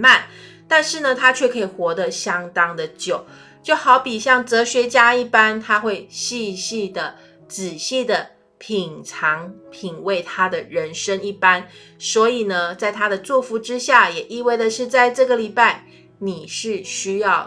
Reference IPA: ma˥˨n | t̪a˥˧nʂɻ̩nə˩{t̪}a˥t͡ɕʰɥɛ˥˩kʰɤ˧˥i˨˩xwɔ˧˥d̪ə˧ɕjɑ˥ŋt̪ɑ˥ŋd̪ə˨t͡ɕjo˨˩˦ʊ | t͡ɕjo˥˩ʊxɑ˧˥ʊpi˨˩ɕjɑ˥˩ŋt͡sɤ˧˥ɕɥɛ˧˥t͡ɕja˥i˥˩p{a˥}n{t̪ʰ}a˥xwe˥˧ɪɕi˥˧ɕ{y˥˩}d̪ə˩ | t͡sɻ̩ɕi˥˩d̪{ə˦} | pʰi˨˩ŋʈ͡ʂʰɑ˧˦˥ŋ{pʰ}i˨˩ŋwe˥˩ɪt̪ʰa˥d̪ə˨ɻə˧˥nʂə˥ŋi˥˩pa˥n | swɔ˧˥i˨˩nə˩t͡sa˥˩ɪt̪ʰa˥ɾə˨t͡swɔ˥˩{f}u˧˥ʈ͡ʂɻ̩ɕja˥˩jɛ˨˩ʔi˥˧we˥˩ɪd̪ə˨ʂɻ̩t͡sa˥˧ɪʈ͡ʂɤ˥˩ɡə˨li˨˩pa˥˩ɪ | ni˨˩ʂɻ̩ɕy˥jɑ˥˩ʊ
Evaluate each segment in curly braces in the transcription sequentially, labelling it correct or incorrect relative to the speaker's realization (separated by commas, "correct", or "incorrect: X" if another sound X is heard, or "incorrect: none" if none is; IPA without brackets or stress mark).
incorrect: t̪ʰ, correct, correct, incorrect: i˥˩, incorrect: ə˩, correct, correct